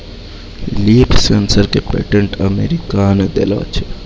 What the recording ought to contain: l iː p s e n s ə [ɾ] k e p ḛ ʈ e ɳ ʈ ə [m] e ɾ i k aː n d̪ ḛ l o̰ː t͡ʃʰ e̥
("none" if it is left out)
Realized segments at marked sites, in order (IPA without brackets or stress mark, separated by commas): ɾ, m